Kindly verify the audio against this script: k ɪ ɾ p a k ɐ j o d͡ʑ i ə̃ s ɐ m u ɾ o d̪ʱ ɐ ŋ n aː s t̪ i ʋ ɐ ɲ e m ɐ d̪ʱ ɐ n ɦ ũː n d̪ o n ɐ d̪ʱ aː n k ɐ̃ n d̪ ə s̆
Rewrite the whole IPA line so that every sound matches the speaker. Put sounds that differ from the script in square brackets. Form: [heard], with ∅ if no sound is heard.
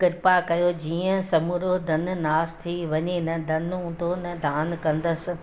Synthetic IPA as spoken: k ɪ ɾ p a k ɐ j o d͡ʑ [iː] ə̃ s ɐ m u ɾ o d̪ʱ ɐ [n] n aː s [t̪ʰ] i ʋ ɐ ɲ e [n] ɐ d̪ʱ ɐ n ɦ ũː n d̪ o n ɐ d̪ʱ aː n k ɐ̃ n d̪ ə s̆